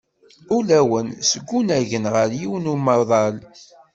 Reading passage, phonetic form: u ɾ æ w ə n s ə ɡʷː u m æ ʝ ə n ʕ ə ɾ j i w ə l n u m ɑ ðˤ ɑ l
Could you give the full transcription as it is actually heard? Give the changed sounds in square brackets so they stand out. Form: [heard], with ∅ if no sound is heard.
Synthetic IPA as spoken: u [l] æ w ə n s ə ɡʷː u [n] æ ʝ ə n [ʁ] ə ɾ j i w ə [∅] n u m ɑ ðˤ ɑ l